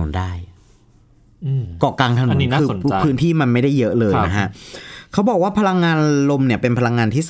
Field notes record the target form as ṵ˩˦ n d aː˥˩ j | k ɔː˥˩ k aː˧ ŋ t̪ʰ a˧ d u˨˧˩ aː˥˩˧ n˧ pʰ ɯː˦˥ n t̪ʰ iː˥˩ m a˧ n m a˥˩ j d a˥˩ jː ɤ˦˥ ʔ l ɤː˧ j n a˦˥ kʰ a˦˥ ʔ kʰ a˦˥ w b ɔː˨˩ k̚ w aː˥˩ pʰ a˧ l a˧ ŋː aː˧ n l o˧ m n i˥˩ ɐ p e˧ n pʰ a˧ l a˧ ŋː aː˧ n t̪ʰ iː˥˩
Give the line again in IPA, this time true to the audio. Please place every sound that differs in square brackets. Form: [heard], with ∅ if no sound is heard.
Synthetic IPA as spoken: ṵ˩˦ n d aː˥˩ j | k [ɔː˨˩] k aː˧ ŋ t̪ʰ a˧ [n] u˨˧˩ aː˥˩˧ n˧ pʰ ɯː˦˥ n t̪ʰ iː˥˩ m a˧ n m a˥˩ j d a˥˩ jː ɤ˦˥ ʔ l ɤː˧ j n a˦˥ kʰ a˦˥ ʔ kʰ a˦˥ w b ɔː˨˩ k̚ w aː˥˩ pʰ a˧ l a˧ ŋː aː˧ n l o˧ m n i˥˩ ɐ p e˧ n pʰ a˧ l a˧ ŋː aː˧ n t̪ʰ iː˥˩